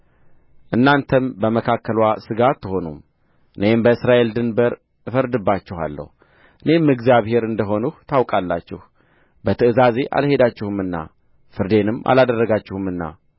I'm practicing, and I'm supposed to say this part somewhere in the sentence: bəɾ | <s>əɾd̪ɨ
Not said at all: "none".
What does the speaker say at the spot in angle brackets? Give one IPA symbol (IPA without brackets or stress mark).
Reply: f